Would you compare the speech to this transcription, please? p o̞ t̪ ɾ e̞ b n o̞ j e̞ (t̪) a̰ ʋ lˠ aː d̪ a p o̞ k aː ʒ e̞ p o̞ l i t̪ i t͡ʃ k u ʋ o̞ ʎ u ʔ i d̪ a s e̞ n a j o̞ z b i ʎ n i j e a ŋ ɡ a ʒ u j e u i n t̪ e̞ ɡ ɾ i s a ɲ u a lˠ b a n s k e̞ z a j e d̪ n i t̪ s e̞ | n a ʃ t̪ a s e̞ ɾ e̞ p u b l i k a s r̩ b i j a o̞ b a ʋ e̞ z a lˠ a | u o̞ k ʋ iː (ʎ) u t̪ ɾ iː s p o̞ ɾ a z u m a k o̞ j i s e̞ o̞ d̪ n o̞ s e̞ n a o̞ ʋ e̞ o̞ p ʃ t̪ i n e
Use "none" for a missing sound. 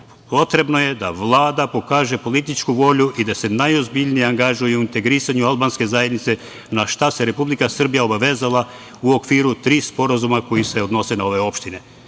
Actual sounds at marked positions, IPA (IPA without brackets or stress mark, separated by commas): d̪, ɾ